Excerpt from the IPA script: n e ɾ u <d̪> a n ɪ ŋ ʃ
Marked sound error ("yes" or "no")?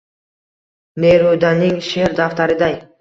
no